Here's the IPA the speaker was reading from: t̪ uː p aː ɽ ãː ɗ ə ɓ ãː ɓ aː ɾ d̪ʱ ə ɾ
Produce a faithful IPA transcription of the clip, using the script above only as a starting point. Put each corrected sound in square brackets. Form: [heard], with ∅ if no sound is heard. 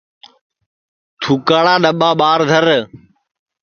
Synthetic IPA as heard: [t̪ʰ] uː [k] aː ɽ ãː ɗ ə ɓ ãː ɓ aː ɾ d̪ʱ ə ɾ